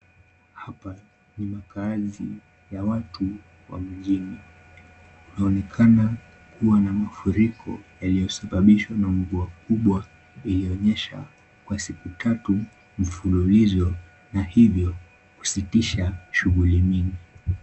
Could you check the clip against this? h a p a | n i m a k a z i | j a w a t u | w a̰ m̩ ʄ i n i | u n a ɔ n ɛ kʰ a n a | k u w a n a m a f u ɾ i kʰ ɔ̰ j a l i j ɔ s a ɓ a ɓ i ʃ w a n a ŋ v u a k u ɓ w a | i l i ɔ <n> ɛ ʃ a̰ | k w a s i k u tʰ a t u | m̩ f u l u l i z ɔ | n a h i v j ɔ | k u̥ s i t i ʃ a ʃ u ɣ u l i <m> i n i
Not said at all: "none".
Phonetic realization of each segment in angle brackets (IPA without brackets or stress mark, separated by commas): ɲ, m